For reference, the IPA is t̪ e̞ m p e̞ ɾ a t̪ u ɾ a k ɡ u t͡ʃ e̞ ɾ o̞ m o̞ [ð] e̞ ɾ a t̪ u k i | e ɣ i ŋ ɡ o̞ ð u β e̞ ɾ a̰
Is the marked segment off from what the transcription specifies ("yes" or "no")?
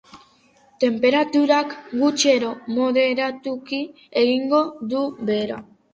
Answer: no